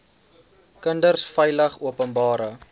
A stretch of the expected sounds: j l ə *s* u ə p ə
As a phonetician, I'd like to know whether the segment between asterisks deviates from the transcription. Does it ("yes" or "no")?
yes